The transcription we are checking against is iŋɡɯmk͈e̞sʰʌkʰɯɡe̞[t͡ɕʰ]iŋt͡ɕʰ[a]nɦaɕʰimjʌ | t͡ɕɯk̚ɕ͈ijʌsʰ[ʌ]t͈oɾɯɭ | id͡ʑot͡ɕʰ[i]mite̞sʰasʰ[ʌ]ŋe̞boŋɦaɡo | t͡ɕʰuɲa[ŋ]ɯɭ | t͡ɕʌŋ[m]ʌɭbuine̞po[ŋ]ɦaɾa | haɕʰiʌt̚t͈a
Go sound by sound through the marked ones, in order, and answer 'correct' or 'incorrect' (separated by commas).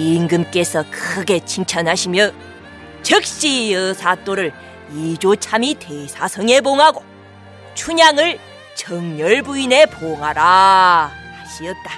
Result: correct, incorrect, incorrect, incorrect, correct, correct, incorrect, correct